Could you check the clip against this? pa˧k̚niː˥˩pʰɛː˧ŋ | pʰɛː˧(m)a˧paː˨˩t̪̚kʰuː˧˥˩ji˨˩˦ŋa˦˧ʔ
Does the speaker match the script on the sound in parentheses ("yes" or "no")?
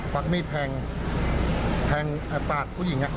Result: no